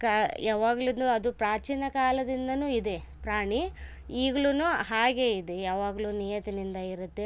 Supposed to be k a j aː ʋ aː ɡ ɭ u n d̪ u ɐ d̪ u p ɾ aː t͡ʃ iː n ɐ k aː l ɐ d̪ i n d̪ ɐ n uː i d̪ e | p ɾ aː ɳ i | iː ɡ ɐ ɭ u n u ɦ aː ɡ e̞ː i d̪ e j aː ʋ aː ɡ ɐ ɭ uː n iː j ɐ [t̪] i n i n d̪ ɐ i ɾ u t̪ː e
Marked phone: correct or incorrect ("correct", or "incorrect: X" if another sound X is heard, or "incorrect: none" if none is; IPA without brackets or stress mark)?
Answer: correct